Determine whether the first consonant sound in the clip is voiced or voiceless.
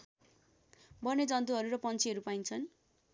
voiced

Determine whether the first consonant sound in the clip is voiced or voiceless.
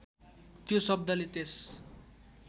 voiceless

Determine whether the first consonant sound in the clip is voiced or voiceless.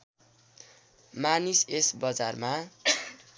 voiced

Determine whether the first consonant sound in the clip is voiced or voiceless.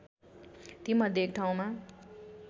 voiceless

